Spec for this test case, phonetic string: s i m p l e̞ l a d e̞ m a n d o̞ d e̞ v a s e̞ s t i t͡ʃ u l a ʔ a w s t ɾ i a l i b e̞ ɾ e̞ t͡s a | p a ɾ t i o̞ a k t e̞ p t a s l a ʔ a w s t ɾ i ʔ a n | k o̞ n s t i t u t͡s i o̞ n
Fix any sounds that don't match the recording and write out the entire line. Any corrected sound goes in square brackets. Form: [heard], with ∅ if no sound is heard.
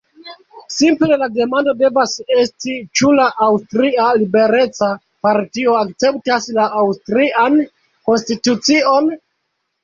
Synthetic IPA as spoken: s i m p l e̞ l a d e̞ m a n d o̞ d e̞ v a s e̞ s t i t͡ʃ u l a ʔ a w s t ɾ i a l i b e̞ ɾ e̞ t͡s a | p a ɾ t i o̞ a k [t͡s] e̞ p t a s l a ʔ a w s t ɾ i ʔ a n | k o̞ n s t i t u t͡s i o̞ n